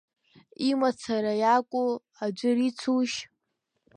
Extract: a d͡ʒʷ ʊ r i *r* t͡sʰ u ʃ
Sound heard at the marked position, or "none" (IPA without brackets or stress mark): none